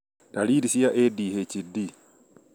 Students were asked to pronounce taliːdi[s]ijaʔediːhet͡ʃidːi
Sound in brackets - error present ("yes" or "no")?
no